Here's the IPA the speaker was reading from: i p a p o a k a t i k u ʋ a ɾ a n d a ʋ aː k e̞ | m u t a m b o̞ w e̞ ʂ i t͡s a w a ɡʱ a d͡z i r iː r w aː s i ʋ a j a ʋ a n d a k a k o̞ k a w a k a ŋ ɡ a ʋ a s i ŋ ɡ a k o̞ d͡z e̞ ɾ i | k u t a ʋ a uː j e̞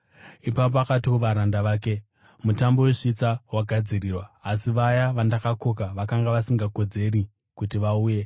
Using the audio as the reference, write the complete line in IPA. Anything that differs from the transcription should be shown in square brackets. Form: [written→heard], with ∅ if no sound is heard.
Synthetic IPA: i p a p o a k a t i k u ʋ a ɾ a n d a ʋ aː k e̞ | m u t a m b o̞ w e̞ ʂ i t͡s a w a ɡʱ a d͡z i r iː r w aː s i ʋ a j a ʋ a n d a k a k o̞ k a [w→ʋ] a k a ŋ ɡ a ʋ a s i ŋ ɡ a k o̞ d͡z e̞ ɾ i | k u t [a→i] ʋ a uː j e̞